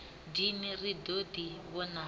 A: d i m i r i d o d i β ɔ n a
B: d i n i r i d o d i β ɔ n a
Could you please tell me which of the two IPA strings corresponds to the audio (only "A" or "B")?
A